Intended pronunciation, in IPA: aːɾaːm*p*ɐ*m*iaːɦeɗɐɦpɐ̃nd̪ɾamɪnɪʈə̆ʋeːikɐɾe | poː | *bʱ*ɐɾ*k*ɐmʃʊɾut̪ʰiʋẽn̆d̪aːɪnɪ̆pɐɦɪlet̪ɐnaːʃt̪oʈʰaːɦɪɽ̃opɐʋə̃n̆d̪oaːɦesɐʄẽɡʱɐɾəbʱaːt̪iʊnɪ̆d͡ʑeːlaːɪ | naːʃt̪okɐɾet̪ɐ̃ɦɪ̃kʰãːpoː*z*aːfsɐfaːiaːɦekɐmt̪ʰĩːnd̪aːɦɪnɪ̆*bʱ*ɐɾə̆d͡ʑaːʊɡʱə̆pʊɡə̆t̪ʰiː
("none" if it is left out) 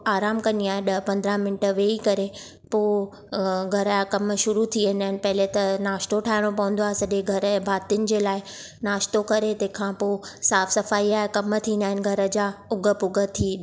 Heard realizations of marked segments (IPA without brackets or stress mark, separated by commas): k, n, ɡʱ, k, s, ɡʱ